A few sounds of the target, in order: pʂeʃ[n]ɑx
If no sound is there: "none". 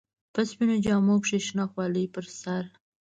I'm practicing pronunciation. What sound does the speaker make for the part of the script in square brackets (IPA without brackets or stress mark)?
n